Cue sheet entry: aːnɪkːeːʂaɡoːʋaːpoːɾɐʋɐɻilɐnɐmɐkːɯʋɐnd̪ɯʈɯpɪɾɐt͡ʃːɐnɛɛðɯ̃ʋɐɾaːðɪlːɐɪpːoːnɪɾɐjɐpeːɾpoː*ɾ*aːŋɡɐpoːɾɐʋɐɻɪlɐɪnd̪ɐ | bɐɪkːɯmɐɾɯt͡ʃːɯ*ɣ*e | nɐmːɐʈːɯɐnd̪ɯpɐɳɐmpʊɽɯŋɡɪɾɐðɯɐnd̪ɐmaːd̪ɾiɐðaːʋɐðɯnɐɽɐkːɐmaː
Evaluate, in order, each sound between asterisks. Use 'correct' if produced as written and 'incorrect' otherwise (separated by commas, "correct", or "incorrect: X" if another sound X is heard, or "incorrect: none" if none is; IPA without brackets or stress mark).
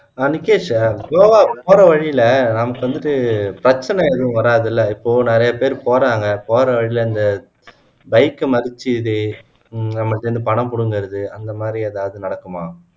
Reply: correct, incorrect: ð